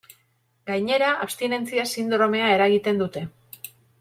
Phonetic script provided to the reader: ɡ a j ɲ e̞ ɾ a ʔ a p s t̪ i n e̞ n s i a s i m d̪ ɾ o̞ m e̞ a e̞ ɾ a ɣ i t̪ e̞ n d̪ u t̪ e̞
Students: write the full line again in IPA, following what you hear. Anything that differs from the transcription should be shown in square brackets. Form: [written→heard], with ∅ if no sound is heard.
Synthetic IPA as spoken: ɡ a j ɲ e̞ ɾ a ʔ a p s t̪ i n e̞ n [s→t͡s] i a s i [m→n] d̪ ɾ o̞ m e̞ a e̞ ɾ a ɣ i t̪ e̞ n d̪ u t̪ e̞